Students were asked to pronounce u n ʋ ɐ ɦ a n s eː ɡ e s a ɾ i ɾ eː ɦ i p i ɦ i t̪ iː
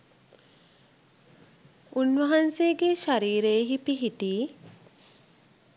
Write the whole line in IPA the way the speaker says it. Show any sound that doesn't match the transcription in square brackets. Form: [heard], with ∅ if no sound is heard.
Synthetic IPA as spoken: u n ʋ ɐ ɦ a n s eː ɡ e [ʃ] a ɾ [iː] ɾ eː ɦ i p i ɦ i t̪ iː